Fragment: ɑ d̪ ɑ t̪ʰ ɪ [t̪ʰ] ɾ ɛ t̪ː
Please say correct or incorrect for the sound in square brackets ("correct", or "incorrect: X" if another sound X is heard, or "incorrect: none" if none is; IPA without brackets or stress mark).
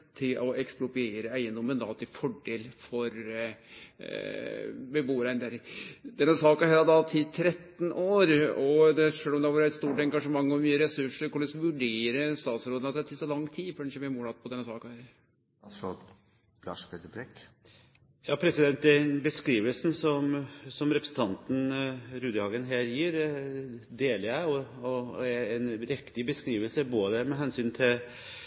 correct